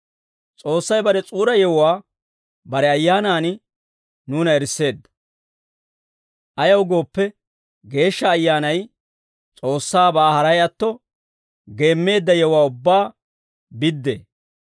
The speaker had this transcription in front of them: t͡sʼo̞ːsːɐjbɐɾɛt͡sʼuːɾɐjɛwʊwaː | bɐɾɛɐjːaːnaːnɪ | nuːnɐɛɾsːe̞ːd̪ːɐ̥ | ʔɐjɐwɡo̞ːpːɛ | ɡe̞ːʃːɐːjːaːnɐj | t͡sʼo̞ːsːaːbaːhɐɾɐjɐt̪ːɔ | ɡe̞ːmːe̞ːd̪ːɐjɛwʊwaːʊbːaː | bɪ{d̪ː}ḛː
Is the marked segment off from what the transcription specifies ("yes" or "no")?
no